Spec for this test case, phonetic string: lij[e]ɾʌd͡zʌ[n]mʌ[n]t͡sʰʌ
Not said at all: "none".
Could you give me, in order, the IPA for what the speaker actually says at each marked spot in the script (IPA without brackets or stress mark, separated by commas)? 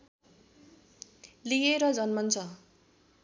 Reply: e, n, n